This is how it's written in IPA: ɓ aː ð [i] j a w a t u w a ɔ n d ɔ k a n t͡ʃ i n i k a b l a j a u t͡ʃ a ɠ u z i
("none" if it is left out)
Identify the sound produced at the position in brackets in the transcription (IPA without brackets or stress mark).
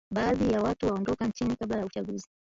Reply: i